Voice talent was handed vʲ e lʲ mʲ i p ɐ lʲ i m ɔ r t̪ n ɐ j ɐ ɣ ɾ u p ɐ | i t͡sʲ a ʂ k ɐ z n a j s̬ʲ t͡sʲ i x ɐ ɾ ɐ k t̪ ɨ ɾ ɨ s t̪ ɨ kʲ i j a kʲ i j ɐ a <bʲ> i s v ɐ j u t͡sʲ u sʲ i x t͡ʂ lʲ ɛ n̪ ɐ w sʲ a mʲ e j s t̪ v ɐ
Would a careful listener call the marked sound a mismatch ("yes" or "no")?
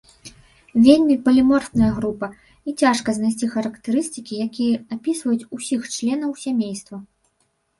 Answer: yes